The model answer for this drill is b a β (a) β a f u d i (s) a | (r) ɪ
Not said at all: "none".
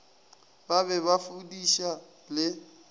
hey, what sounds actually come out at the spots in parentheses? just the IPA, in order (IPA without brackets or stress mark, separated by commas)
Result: ɛ, ʃ, l